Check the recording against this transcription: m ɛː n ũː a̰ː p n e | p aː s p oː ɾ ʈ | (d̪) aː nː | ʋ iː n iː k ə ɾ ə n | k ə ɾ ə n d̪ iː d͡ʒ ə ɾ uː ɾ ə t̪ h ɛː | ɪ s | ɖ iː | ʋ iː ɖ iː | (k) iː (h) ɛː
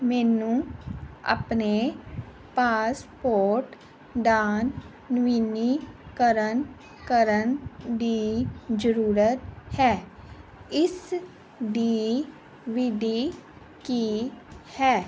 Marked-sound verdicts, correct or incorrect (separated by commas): correct, correct, correct